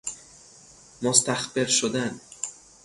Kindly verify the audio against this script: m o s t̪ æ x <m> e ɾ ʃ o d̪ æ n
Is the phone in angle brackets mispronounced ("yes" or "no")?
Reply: yes